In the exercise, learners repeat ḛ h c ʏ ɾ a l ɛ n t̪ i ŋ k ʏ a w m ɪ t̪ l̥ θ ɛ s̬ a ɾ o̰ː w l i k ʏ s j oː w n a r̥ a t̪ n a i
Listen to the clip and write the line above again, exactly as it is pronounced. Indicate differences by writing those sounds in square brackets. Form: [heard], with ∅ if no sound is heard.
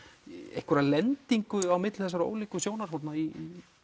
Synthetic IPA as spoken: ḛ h [k] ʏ ɾ a l ɛ n t̪ i ŋ k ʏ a w m ɪ t̪ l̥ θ ɛ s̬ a ɾ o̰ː w l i k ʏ s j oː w n a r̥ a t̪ n a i